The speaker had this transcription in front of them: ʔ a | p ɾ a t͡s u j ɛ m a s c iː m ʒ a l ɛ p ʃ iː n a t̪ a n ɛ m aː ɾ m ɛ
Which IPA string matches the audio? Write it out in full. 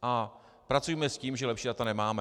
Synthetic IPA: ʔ a | p ɾ a t͡s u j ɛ m ɛ s c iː m ʒ ɛ l ɛ p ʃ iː d a t̪ a n ɛ m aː m ɛ